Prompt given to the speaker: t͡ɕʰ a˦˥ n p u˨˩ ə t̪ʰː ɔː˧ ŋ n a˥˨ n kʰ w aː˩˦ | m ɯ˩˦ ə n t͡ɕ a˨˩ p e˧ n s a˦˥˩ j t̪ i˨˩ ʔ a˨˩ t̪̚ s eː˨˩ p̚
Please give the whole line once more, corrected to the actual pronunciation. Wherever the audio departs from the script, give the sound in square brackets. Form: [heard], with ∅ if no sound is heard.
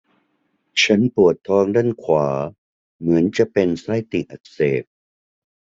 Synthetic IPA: t͡ɕʰ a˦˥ n p u˨˩ ə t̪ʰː ɔː˧ ŋ [d] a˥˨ n kʰ w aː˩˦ | m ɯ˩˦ ə n t͡ɕ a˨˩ p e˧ n s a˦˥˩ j t̪ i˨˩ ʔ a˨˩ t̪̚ s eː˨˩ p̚